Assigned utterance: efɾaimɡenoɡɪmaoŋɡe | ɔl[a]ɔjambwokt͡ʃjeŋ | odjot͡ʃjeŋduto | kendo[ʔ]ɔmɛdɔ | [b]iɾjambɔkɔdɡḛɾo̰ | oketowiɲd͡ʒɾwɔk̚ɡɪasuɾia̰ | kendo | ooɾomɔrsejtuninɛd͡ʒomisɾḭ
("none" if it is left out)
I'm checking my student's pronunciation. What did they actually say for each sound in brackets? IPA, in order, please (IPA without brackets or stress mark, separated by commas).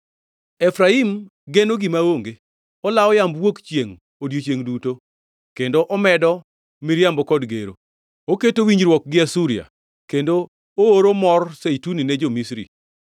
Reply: a, ʔ, m